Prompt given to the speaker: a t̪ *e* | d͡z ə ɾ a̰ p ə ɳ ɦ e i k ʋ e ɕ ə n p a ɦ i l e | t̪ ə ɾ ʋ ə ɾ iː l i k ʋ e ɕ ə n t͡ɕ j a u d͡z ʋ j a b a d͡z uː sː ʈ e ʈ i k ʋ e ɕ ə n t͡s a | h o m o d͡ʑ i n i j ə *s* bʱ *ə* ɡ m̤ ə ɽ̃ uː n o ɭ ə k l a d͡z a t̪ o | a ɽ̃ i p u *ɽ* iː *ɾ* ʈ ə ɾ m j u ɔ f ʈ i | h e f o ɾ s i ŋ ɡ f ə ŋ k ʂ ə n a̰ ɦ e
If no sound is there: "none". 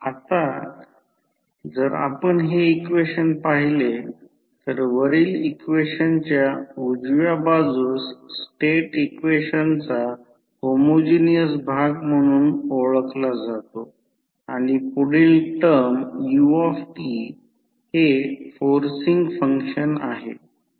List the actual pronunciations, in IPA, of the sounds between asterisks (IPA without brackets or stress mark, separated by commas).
a, s, a, ɽ, l